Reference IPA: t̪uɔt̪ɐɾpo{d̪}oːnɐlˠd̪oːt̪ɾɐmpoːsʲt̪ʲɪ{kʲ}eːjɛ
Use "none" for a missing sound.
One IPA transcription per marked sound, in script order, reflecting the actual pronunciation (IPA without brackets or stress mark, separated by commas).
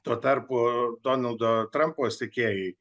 d̪, kʲ